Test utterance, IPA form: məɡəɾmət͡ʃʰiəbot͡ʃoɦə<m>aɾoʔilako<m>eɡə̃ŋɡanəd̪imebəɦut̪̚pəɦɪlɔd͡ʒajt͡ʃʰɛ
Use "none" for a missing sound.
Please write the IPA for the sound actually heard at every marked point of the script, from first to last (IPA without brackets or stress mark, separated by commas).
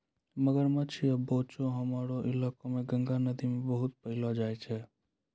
m, m